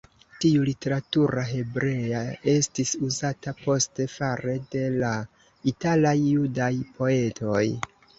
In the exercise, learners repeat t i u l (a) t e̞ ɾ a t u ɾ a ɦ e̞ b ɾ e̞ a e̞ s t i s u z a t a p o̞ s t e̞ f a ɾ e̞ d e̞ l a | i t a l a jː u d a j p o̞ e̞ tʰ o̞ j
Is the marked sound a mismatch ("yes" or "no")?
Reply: yes